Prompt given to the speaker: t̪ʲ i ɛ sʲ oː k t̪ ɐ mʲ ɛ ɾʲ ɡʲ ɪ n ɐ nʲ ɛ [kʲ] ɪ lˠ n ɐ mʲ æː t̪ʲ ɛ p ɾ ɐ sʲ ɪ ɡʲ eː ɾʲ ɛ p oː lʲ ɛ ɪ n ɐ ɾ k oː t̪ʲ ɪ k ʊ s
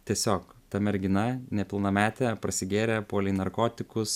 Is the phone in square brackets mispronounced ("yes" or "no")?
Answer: yes